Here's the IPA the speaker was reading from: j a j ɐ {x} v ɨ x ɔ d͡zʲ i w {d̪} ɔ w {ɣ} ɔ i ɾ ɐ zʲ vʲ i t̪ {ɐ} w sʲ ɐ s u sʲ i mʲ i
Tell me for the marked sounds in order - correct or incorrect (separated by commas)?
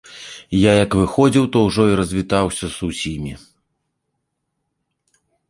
incorrect, incorrect, incorrect, incorrect